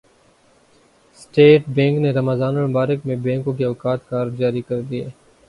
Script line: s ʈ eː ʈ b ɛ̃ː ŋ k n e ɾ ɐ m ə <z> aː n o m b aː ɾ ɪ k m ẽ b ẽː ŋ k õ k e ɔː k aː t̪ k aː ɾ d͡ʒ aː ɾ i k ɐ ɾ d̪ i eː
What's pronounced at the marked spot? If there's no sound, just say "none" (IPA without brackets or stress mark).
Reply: z